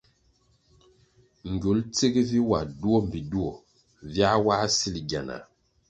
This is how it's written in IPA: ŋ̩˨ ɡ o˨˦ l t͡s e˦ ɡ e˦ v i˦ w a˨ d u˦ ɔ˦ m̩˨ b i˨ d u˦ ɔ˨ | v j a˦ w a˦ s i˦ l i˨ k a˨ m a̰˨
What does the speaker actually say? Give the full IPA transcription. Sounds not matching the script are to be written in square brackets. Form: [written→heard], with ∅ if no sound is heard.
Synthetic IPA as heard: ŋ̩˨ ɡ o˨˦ l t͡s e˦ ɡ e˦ v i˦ w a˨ d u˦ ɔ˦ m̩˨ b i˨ d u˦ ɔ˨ | v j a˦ w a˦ s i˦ l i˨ [k→ɡ] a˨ [m→n] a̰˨